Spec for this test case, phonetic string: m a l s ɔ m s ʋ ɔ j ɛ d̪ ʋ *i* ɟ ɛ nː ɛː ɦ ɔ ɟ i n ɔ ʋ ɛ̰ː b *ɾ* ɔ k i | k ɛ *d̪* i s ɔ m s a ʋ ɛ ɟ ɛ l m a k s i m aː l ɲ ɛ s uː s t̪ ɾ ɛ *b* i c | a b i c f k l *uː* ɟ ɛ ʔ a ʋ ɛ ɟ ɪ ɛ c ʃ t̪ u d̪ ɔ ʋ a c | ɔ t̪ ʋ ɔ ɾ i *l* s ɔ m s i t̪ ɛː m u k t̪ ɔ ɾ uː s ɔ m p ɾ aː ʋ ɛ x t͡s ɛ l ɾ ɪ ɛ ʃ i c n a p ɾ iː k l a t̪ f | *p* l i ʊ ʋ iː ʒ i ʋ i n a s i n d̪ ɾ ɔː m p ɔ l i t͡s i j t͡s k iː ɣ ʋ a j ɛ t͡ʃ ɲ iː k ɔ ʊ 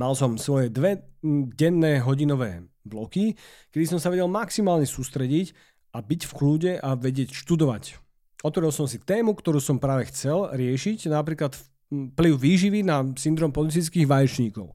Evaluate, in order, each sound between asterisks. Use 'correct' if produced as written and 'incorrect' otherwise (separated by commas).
incorrect, incorrect, correct, incorrect, correct, correct, correct